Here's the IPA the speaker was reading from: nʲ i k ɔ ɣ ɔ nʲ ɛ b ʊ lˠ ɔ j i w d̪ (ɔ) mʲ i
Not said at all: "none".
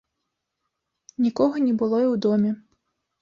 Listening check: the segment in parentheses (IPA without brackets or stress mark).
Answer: ɔ